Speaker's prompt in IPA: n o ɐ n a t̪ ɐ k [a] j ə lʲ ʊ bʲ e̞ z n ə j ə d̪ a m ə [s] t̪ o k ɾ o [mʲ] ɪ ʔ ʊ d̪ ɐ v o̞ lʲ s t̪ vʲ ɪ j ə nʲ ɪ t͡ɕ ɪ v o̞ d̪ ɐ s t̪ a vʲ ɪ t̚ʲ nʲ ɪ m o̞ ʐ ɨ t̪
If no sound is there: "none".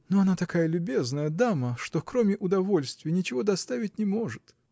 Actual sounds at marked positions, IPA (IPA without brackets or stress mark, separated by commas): a, ʂ, mʲ